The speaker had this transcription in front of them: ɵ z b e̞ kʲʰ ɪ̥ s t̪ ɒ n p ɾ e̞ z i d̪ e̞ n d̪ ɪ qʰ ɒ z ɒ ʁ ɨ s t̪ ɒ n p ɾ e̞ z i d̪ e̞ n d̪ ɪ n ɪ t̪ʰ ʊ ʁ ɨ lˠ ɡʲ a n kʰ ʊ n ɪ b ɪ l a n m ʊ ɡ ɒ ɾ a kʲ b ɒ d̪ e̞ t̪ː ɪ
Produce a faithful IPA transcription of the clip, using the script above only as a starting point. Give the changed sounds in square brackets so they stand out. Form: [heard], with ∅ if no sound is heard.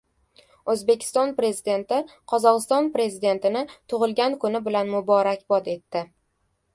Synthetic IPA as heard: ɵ z b e̞ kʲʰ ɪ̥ s t̪ ɒ n p ɾ e̞ z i d̪ e̞ n [t̪] ɪ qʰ ɒ z ɒ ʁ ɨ s t̪ ɒ n p ɾ e̞ z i d̪ e̞ n [t̪] ɪ n ɪ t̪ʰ ʊ ʁ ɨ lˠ ɡʲ a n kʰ ʊ n ɪ b ɪ l a n m ʊ [b] ɒ ɾ a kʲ b ɒ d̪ e̞ t̪ː ɪ